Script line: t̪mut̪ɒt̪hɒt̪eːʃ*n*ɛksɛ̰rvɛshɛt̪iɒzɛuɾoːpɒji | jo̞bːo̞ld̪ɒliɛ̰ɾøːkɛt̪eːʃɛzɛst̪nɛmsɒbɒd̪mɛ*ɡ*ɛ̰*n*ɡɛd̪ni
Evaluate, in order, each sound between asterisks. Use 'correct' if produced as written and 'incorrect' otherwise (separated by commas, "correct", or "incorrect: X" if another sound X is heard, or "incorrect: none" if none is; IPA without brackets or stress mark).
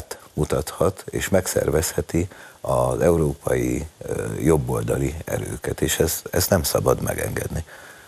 incorrect: m, correct, incorrect: ŋ